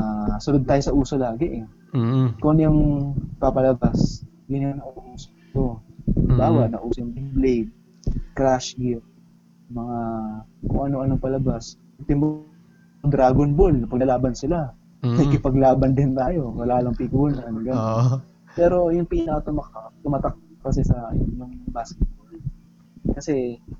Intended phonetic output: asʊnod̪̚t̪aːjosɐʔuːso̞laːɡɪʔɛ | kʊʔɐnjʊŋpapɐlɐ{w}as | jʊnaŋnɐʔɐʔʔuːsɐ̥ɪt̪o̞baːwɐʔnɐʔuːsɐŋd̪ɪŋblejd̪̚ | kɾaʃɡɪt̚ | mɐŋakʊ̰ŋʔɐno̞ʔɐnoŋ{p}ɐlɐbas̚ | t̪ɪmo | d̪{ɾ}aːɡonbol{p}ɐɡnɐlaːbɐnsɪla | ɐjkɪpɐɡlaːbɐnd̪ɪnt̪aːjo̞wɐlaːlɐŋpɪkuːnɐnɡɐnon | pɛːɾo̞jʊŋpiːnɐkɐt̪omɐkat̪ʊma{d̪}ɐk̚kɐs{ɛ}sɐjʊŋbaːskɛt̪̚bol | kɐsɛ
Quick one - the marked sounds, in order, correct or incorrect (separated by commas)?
incorrect, correct, correct, correct, incorrect, correct